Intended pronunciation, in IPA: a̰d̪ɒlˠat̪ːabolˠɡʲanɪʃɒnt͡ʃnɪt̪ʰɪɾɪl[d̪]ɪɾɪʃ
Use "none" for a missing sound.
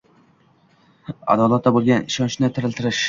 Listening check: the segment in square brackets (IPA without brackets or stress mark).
t̪